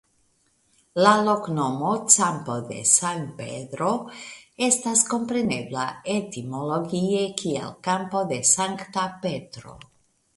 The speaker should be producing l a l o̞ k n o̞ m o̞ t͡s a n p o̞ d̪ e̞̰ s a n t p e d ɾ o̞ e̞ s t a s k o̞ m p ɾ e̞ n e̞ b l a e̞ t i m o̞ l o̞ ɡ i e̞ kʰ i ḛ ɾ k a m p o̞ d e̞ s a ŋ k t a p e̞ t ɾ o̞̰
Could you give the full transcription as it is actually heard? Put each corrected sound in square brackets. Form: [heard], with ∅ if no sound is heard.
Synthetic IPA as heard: l a l o̞ k n o̞ m o̞ t͡s a [m] p o̞ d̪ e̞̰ s a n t p e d ɾ o̞ e̞ s t a s k o̞ m p ɾ e̞ n e̞ b l a e̞ t i m o̞ l o̞ ɡ i e̞ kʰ i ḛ [l] k a m p o̞ d e̞ s a ŋ k t a p e̞ t ɾ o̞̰